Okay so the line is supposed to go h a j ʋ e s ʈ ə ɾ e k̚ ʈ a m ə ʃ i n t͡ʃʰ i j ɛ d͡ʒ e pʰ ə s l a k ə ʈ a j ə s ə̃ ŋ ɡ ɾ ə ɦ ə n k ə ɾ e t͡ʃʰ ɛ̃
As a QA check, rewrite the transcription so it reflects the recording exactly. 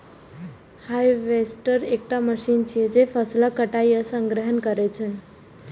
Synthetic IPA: h a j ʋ e s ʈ ə ɾ e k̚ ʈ a m ə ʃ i n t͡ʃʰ i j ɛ d͡ʒ e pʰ ə s l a k ə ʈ a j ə s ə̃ ŋ ɡ ɾ ə ɦ ə n k ə ɾ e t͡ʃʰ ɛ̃